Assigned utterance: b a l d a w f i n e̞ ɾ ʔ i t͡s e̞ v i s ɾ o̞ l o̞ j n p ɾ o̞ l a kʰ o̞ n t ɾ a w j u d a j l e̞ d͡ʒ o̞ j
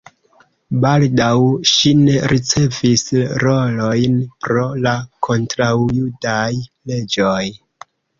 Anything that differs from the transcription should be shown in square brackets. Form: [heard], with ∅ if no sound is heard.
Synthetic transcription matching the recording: b a l d a w [ʃ] i n e̞ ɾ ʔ i t͡s e̞ v i s ɾ o̞ l o̞ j n p ɾ o̞ l a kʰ o̞ n t ɾ a w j u d a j l e̞ d͡ʒ o̞ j